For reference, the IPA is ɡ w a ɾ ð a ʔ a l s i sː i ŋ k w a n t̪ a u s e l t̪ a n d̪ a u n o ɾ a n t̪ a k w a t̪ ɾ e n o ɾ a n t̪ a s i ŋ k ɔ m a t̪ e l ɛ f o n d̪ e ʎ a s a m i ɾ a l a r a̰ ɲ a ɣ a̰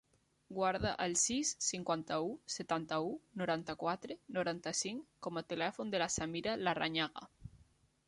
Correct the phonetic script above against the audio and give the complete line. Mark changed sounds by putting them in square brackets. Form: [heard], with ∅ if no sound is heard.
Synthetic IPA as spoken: ɡ w a ɾ ð a ʔ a l s i sː i ŋ k w a n t̪ a u s e [∅] t̪ a n [t̪] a u n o ɾ a n t̪ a k w a t̪ ɾ e n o ɾ a n t̪ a s i ŋ k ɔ m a t̪ e l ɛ f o n d̪ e [l] a s a m i ɾ a l a r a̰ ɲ a ɣ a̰